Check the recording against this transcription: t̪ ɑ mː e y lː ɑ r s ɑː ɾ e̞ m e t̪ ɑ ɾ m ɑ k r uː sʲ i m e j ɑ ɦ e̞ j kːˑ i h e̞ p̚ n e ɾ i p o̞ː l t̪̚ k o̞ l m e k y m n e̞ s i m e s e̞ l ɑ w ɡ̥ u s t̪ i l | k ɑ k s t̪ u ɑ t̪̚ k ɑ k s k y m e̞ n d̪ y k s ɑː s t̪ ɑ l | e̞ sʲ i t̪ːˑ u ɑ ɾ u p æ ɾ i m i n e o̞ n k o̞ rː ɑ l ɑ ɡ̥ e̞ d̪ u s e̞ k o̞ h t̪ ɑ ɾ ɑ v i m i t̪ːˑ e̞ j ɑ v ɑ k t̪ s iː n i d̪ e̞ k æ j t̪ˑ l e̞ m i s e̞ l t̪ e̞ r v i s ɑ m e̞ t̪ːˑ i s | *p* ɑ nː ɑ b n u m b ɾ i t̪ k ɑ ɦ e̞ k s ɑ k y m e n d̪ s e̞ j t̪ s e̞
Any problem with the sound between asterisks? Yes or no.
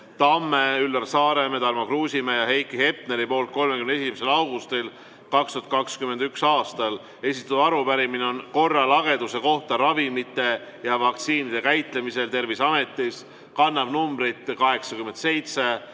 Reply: yes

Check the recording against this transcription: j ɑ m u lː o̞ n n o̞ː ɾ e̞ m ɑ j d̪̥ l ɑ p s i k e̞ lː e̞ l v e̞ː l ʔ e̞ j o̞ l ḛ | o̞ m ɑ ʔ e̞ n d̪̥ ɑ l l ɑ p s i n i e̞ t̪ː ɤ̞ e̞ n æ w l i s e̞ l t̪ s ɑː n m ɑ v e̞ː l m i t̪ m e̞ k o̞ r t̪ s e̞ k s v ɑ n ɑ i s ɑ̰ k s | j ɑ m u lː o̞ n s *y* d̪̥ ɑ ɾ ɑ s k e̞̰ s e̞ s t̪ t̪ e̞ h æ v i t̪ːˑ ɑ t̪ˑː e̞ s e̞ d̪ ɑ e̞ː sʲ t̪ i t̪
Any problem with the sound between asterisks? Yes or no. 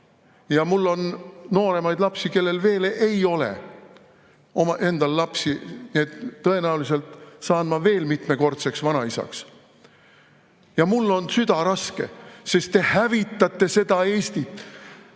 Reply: no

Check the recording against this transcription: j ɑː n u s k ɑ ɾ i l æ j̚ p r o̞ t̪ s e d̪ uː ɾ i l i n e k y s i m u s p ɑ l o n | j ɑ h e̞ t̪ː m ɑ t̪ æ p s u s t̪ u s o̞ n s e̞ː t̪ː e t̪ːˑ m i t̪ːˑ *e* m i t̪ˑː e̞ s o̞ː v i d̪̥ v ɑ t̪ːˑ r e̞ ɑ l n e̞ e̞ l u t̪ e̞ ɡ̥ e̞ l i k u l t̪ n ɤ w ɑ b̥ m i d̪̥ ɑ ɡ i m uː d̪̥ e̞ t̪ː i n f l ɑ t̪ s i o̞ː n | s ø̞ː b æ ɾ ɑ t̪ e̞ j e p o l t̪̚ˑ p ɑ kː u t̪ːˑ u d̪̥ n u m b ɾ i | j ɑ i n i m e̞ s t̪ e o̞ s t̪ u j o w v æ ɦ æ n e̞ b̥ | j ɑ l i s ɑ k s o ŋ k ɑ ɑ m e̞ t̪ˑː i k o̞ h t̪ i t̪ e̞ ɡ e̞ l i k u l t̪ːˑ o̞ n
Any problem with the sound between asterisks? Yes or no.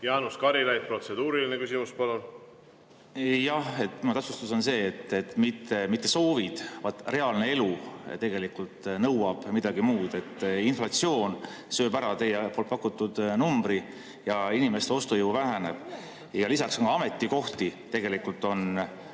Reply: no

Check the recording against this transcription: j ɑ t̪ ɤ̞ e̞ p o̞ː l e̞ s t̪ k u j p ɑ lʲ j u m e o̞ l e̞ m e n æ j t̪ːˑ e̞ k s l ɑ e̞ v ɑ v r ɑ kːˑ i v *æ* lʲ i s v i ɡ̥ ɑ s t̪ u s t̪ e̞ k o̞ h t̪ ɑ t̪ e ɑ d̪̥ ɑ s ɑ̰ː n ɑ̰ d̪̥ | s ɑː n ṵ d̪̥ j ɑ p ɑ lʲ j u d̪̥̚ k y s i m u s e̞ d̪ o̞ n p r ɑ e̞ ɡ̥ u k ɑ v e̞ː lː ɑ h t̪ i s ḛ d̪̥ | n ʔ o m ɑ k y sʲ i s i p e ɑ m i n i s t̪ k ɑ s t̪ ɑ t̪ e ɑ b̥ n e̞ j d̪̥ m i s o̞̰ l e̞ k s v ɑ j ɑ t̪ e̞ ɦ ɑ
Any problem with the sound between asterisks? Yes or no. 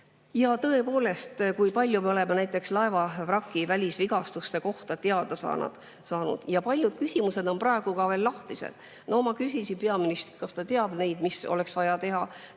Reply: no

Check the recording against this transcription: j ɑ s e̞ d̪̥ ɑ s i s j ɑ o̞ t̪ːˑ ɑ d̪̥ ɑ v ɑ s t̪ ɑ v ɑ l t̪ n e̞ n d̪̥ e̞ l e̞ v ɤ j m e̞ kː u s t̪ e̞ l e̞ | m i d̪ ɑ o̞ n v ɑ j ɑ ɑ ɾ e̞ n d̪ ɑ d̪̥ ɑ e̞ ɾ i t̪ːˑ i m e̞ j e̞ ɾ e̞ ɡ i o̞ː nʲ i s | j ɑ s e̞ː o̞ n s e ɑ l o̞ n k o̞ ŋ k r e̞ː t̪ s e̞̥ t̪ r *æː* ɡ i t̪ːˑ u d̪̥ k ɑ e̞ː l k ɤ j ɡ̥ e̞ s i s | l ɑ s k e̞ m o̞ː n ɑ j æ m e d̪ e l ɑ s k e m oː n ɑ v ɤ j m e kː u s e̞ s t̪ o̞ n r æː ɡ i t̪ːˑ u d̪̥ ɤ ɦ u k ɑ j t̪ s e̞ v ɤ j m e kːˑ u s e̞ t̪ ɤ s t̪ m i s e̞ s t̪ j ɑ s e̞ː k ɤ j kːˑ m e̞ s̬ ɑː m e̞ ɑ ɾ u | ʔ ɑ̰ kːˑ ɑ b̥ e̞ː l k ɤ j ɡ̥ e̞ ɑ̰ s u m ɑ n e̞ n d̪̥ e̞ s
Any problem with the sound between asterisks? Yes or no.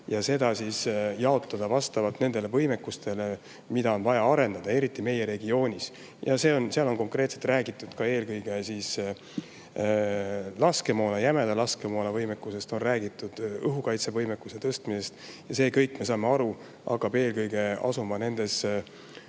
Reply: no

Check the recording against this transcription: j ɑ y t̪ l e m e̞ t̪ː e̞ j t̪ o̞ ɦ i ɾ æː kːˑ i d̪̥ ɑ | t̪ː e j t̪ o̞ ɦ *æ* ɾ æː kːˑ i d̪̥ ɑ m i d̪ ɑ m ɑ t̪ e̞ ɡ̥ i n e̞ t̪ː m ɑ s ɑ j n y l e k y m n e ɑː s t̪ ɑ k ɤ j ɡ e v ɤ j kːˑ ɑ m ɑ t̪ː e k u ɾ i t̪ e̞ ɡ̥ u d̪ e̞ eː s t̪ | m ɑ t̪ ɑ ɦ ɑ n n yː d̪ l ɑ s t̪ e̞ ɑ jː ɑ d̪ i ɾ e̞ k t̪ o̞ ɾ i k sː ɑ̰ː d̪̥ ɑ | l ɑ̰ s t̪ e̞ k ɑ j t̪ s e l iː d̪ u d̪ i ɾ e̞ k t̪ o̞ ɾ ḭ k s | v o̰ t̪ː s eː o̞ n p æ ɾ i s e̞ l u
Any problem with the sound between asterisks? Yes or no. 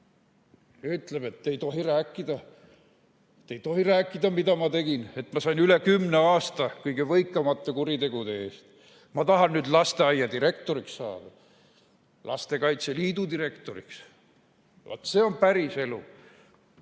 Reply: yes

